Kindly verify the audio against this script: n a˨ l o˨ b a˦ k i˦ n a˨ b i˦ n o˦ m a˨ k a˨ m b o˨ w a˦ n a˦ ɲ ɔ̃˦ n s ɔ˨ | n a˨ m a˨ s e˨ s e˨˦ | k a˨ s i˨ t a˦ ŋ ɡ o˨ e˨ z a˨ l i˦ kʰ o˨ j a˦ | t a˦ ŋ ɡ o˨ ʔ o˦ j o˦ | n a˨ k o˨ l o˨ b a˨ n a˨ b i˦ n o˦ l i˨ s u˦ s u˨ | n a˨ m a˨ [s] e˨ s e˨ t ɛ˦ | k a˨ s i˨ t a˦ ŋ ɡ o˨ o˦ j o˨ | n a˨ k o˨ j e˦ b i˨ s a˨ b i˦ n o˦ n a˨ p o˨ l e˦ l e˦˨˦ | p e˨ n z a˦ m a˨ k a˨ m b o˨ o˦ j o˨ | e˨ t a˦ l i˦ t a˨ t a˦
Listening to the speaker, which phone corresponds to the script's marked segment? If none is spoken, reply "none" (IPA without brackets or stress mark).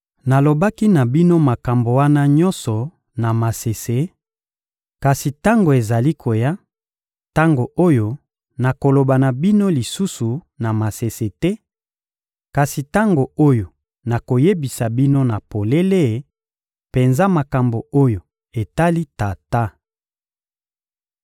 s